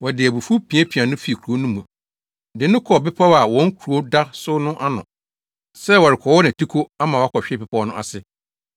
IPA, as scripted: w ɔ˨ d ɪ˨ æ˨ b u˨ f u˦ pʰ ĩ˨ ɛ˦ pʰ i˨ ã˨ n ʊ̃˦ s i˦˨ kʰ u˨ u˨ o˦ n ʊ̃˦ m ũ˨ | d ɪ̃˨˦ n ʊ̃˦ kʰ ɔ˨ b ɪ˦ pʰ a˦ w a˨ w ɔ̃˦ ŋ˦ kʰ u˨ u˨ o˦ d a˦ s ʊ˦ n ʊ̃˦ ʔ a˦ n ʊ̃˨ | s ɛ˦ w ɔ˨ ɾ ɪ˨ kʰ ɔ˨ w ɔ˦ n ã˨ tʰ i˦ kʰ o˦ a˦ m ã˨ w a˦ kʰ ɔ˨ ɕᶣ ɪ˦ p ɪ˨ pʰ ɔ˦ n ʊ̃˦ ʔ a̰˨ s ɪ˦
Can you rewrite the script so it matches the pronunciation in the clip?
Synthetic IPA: w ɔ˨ d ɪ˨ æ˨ b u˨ f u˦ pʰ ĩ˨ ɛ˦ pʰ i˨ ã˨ n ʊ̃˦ f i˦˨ kʰ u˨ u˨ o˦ n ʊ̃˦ m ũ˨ | d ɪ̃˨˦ n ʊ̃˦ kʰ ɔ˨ b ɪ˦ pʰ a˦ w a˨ w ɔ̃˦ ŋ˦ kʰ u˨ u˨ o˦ d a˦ s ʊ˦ n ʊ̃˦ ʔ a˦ n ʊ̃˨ | s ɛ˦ w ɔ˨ ɾ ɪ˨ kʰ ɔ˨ w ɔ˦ n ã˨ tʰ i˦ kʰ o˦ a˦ m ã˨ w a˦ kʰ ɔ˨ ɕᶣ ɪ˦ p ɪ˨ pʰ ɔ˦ n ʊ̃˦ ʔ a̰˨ s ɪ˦